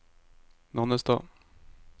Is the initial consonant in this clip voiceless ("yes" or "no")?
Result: no